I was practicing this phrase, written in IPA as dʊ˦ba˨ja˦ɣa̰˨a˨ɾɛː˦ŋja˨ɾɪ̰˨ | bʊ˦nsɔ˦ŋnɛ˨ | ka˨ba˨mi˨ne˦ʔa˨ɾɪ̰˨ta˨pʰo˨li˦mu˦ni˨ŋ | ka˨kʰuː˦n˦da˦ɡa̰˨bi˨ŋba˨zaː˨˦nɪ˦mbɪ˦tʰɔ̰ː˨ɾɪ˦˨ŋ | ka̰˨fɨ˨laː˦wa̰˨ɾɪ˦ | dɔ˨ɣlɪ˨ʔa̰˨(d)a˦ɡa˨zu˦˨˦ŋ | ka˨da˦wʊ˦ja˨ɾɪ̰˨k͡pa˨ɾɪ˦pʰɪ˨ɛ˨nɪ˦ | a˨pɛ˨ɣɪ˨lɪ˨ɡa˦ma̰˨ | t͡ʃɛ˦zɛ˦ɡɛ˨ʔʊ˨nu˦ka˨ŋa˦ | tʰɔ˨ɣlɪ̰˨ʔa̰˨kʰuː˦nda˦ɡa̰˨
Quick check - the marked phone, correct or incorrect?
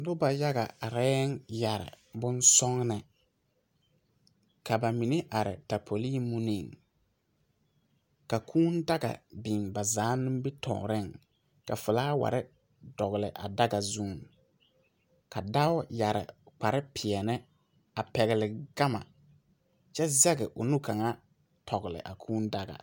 correct